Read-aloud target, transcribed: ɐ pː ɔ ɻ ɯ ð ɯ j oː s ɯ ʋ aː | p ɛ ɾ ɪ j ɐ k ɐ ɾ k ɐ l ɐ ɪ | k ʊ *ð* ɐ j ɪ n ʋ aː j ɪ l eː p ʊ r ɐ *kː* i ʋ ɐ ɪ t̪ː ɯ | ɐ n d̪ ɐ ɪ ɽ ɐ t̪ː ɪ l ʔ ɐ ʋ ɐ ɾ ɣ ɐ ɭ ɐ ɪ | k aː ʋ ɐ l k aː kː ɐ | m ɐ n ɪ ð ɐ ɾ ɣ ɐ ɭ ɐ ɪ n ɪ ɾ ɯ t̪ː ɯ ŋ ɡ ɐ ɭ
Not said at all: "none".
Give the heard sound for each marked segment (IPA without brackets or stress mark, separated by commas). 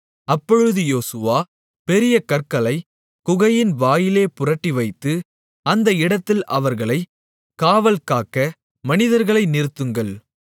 ɣ, ʈː